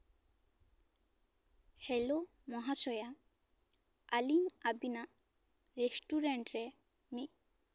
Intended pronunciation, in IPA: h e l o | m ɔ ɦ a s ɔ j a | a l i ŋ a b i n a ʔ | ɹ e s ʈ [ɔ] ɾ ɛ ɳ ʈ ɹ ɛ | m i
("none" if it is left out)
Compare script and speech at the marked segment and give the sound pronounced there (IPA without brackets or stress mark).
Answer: u